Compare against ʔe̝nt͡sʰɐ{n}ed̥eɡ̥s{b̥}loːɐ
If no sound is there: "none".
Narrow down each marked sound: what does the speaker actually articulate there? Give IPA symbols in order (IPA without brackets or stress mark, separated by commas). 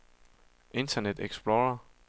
n, b̥